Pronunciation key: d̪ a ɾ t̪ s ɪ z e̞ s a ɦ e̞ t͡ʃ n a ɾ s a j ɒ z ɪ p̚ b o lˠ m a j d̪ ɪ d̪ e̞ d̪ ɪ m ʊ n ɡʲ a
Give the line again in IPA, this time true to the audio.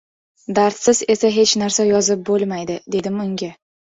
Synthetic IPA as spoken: d̪ a ɾ t̪ s ɪ z e̞ s a ɦ e̞ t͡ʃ n a ɾ s a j ɒ z ɪ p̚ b o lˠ m a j d̪ ɪ d̪ e̞ d̪ ɪ m ʊ ŋ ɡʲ a